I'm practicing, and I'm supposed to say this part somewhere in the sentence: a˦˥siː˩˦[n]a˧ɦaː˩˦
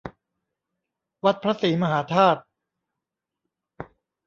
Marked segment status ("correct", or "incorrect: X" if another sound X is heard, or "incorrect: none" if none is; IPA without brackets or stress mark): incorrect: m